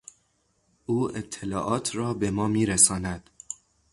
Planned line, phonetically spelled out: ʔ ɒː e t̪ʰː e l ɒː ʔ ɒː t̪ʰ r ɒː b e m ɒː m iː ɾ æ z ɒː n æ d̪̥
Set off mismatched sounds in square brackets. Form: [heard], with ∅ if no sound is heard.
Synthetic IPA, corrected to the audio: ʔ [uː] e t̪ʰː e l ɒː ʔ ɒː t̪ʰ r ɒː b e m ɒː m iː ɾ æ [s] ɒː n æ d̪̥